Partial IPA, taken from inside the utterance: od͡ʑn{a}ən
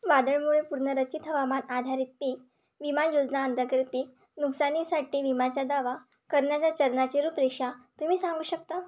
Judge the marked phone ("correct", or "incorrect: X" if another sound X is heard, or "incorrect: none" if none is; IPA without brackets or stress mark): correct